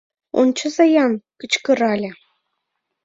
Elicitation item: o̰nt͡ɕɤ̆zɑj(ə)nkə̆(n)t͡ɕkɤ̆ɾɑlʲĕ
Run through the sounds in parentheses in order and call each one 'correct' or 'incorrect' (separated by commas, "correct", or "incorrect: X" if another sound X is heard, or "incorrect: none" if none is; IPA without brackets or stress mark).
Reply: incorrect: ɑ, incorrect: none